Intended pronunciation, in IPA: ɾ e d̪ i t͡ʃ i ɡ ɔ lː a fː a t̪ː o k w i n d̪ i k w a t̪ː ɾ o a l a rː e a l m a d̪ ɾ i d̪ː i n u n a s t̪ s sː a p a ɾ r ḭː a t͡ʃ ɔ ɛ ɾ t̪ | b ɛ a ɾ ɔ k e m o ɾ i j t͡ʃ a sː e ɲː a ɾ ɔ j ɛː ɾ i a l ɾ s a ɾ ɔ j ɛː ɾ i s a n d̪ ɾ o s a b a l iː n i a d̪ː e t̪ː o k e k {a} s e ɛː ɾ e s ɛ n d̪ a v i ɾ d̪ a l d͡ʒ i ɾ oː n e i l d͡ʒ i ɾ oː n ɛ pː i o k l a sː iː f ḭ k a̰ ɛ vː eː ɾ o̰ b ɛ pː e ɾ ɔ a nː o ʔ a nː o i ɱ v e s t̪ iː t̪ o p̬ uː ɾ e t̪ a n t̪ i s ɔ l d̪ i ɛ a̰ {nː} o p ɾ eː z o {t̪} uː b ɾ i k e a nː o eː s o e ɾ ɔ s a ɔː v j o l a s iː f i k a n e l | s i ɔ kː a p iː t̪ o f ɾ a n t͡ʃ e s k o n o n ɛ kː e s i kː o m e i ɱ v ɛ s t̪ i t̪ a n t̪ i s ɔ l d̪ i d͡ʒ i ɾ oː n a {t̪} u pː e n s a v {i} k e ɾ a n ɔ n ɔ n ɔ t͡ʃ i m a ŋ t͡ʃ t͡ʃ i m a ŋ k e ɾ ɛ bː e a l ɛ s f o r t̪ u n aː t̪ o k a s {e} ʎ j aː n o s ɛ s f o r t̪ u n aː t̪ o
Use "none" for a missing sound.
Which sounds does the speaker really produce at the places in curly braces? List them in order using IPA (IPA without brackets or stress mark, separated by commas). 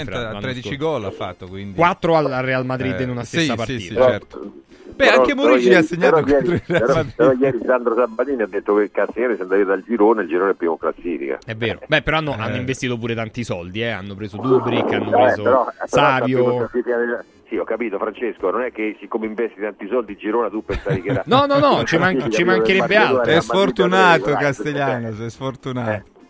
a, nː, d̪, t̪, i, e